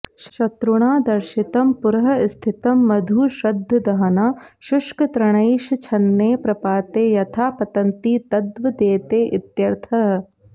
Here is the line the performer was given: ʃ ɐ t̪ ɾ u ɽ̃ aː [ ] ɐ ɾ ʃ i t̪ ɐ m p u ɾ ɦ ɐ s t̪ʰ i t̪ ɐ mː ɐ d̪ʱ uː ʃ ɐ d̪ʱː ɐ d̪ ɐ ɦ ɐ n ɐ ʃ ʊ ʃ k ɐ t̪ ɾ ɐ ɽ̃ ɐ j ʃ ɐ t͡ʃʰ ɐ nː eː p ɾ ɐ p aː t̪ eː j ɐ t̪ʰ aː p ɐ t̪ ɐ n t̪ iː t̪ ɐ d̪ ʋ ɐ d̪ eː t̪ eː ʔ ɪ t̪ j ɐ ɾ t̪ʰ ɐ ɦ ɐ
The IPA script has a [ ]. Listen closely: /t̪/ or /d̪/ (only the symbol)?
d̪